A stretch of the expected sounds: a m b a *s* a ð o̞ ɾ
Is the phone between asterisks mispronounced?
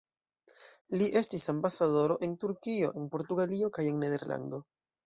no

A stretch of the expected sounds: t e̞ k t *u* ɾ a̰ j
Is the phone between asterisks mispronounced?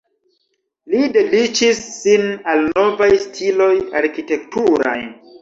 no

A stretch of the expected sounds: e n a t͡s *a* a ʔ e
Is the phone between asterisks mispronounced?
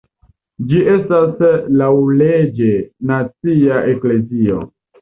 yes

